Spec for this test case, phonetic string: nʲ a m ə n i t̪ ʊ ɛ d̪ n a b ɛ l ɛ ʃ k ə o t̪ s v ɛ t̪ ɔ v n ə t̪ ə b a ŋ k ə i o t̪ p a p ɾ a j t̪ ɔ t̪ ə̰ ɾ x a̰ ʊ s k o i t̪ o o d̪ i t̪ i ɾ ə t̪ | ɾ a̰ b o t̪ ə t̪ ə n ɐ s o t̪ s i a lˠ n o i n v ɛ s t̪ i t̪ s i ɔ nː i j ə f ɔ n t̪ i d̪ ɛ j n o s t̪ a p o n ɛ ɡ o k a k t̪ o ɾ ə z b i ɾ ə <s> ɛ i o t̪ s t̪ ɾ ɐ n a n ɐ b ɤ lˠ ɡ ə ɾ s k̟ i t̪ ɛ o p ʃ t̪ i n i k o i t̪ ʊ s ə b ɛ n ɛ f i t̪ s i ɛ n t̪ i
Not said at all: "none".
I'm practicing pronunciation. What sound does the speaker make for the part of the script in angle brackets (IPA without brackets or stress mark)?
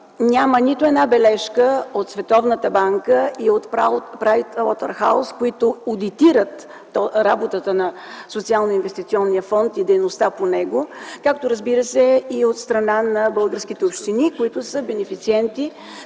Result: s